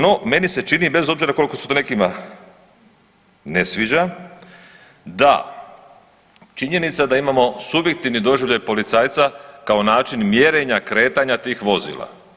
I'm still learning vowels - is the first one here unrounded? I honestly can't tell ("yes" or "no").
no